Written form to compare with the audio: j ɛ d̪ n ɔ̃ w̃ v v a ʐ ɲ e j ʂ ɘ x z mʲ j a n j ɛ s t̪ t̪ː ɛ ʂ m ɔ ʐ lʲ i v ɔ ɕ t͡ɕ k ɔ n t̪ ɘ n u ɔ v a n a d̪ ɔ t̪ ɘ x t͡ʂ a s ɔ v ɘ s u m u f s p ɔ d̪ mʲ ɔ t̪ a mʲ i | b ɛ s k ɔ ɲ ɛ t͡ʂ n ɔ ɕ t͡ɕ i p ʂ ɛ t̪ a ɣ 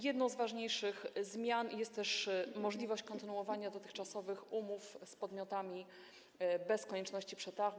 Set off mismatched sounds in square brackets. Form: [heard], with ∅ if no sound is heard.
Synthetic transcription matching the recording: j ɛ d̪ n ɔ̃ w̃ [z] v a ʐ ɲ e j ʂ ɘ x z mʲ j a n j ɛ s t̪ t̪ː ɛ ʂ m ɔ ʐ lʲ i v ɔ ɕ t͡ɕ k ɔ n t̪ ɘ n u ɔ v a [ɲ] a d̪ ɔ t̪ ɘ x t͡ʂ a s ɔ v ɘ [x] u m u f s p ɔ d̪ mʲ ɔ t̪ a mʲ i | b ɛ s k ɔ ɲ ɛ t͡ʂ n ɔ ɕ t͡ɕ i p ʂ ɛ t̪ a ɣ